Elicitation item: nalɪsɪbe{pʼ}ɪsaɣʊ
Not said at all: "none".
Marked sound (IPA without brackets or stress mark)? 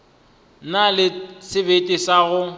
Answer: tʼ